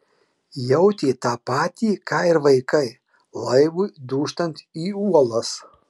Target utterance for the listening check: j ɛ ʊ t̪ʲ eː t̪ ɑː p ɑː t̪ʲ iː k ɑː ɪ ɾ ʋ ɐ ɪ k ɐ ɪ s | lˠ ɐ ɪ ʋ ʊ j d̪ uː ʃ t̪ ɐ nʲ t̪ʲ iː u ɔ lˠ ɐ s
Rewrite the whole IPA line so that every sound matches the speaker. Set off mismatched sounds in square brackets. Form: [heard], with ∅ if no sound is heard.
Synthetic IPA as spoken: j ɛ ʊ t̪ʲ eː t̪ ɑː p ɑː t̪ʲ iː k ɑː ɪ ɾ ʋ ɐ ɪ k ɐ ɪ [∅] | lˠ ɐ ɪ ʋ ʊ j d̪ uː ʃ t̪ ɐ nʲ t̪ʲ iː u ɔ lˠ ɐ s